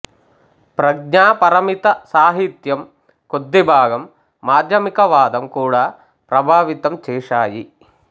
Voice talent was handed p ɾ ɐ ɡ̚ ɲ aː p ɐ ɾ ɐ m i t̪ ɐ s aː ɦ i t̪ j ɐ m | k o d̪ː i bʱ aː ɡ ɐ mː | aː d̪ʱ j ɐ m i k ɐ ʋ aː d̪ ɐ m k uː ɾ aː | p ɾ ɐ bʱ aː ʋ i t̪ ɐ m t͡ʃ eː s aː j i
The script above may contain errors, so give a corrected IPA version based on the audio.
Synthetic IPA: p ɾ ɐ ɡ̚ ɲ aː p ɐ ɾ ɐ m i t̪ ɐ s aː ɦ i t̪ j ɐ m | k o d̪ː i bʱ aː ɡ ɐ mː | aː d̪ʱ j ɐ m i k ɐ ʋ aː d̪ ɐ m k uː ɽ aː | p ɾ ɐ bʱ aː ʋ i t̪ ɐ m t͡ʃ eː ʂ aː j i

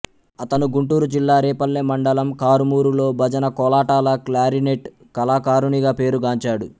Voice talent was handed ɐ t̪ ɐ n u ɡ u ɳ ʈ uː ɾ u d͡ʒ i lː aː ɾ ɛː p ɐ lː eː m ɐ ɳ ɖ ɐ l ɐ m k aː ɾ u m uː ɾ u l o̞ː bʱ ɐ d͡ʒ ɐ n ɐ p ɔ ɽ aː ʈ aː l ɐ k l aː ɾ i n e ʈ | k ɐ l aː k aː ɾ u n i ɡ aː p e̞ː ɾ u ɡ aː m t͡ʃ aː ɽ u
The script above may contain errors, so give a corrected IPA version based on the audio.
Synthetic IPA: ɐ t̪ ɐ n u ɡ u ɳ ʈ uː ɾ u d͡ʒ i lː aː ɾ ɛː p ɐ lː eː m ɐ ɳ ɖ ɐ l ɐ m k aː ɾ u m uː ɾ u l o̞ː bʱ ɐ d͡ʒ ɐ n ɐ k ɔ l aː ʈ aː l ɐ k l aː ɾ i n e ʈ | k ɐ l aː k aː ɾ u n i ɡ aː p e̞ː ɾ u ɡ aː ɲ t͡ʃ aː ɽ u

